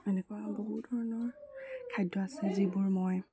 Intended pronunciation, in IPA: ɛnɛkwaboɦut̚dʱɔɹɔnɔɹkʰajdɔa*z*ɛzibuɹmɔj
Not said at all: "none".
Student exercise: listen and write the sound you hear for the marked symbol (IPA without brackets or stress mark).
s